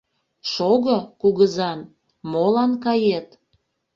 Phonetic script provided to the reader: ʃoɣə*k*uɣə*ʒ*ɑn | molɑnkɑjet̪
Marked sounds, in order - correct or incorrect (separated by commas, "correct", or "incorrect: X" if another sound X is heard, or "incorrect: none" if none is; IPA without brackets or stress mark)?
correct, incorrect: z